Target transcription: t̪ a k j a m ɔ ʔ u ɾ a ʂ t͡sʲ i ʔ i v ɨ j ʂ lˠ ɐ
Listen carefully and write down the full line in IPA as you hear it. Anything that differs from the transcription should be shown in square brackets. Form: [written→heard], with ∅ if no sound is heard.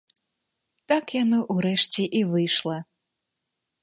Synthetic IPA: t̪ a k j a [m→n] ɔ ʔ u ɾ [a→ɛ] ʂ t͡sʲ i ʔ i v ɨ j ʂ lˠ ɐ